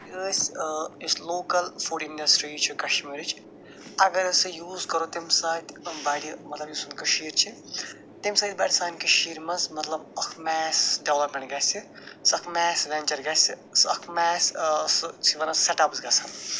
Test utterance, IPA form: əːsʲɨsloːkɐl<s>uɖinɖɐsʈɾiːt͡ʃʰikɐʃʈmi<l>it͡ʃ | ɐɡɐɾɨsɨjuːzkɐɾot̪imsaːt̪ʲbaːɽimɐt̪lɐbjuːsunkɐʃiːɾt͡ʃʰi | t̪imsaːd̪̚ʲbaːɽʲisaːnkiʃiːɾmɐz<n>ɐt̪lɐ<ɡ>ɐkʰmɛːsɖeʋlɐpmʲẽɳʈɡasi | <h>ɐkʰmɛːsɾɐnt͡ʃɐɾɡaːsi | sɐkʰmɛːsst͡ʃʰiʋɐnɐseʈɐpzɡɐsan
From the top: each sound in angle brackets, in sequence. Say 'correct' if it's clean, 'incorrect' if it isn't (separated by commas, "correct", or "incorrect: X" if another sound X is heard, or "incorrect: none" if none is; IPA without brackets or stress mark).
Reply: incorrect: f, incorrect: ɾ, incorrect: m, incorrect: b, incorrect: s